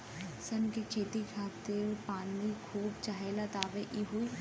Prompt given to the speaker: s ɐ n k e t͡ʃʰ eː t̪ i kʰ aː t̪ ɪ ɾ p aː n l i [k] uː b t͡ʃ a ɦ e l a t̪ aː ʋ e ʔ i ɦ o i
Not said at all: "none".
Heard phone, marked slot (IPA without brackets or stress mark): kʰ